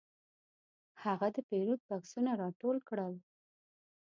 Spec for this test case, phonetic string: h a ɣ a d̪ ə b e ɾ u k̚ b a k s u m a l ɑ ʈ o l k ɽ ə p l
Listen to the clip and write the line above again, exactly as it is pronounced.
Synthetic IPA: h a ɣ a d̪ ə p e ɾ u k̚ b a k s u n a ɾ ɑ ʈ o l k ɽ ə l